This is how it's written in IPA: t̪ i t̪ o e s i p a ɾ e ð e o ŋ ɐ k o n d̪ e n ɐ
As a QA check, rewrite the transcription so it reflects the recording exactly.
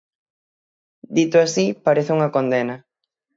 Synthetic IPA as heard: d̪ i t̪ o a s i p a ɾ e θ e u ŋ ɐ k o n d̪ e n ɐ